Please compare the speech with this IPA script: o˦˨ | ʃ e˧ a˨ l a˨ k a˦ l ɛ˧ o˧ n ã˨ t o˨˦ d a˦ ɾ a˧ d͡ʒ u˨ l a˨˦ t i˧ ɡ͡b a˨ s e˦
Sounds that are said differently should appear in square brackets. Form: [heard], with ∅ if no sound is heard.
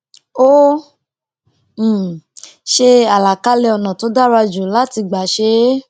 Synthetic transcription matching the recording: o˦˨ | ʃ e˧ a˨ l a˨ k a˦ l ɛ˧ [ɔ˧] n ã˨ t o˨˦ d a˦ ɾ a˧ d͡ʒ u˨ l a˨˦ t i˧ ɡ͡b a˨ [ʃ] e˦